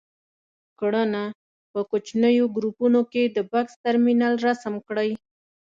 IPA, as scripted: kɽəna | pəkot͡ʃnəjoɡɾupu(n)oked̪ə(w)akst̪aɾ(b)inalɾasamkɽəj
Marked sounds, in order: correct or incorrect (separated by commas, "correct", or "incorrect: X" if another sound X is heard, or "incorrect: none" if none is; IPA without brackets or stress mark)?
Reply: correct, incorrect: b, incorrect: m